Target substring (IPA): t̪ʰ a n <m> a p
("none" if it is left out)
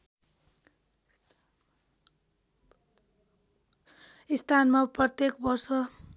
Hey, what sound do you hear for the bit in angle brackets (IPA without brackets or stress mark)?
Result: m